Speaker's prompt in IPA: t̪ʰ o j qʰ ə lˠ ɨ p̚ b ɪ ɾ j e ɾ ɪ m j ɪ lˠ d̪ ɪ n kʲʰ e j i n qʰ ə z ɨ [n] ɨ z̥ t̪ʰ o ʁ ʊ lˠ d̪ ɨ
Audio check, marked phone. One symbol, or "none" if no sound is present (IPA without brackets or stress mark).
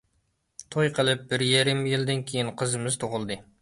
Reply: m